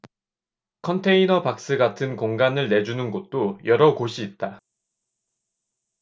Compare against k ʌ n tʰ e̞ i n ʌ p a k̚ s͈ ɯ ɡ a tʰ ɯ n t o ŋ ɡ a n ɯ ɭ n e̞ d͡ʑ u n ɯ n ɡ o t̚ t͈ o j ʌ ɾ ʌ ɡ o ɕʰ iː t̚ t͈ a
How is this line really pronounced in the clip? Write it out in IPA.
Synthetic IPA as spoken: kʰ ʌ n tʰ e̞ i n ʌ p a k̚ s͈ ɯ ɡ a tʰ ɯ n k o ŋ ɡ a n ɯ ɭ n e̞ d͡ʑ u n ɯ n ɡ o t̚ t͈ o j ʌ ɾ ʌ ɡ o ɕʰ iː t̚ t͈ a